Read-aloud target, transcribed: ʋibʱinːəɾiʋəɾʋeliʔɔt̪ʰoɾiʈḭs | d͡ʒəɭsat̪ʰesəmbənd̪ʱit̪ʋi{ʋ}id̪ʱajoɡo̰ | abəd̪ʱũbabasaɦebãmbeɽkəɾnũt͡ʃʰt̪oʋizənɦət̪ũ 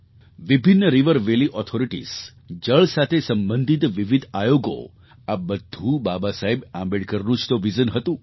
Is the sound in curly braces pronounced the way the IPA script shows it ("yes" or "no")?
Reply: yes